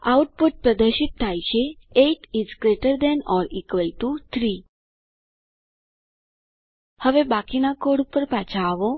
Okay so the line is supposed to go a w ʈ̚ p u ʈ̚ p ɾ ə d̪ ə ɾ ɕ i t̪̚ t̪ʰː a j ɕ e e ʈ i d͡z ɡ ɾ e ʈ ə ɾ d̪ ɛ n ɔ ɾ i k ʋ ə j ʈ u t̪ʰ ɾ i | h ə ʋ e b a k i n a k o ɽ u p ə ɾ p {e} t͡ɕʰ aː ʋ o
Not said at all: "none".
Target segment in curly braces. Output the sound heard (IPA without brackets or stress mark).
a